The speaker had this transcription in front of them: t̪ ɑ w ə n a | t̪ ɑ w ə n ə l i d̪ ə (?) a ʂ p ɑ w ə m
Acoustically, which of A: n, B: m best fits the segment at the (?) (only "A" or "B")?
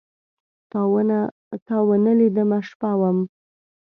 B